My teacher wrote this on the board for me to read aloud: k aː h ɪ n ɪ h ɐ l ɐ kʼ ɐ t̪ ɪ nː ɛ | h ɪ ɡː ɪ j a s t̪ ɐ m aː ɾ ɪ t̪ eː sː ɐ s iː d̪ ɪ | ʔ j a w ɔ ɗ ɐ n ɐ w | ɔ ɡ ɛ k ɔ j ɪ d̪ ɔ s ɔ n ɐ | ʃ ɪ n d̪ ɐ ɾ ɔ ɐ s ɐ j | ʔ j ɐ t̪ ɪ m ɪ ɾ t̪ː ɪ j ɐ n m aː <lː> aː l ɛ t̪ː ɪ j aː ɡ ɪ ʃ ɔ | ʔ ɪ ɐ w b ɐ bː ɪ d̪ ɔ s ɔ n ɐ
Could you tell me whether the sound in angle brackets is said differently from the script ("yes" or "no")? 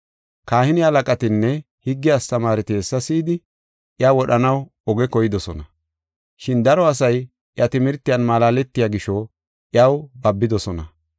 yes